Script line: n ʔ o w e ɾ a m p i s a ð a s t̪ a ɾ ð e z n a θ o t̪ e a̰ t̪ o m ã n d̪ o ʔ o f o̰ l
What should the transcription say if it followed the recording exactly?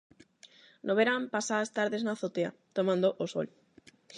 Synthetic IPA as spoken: n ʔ o β e ɾ a m p a s a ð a s t̪ a ɾ ð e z n a θ o t̪ e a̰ t̪ o m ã n d̪ o ʔ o s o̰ l